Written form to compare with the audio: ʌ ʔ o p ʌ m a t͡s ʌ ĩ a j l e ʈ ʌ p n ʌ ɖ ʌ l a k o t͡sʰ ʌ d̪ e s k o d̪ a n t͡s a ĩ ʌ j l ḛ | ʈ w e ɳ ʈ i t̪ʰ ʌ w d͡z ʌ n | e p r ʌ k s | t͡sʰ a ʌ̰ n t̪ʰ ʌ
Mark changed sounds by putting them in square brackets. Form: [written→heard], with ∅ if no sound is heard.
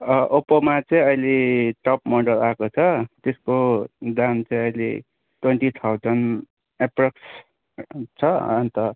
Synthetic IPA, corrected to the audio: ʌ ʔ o p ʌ m a t͡s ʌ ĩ [a→ʌ] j l e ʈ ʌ p [n→m] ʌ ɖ ʌ l a k o t͡sʰ ʌ [d̪→t̪] e s k o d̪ a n t͡s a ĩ ʌ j l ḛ | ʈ w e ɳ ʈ i t̪ʰ [ʌ→a] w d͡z ʌ n | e p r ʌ k s | t͡sʰ [a→ʌ] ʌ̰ n [t̪ʰ→t̪] ʌ